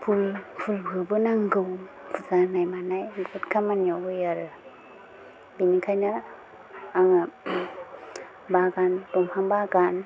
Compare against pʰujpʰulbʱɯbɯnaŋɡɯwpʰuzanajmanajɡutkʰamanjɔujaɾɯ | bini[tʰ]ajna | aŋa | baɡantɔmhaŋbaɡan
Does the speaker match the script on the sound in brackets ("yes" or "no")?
no